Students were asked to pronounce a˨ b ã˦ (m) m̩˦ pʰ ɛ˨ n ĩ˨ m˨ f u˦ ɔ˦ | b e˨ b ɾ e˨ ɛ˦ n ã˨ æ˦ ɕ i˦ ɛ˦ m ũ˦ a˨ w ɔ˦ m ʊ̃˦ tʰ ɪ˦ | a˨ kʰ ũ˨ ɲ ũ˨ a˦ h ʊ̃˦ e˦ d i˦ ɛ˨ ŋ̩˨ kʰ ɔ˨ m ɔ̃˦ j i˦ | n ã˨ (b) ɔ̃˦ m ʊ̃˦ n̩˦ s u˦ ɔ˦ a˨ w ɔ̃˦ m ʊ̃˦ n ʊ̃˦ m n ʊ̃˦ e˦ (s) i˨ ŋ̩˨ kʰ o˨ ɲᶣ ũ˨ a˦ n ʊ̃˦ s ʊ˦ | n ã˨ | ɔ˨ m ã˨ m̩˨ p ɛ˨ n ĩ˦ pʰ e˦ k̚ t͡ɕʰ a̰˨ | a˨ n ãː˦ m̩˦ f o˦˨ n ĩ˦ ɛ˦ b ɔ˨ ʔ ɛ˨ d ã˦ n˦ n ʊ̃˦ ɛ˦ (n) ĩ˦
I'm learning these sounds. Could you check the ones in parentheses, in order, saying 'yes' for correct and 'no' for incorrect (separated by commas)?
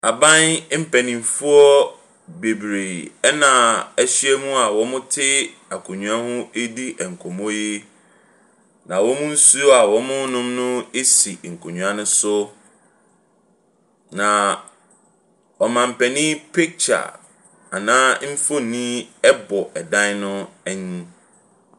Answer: no, no, yes, no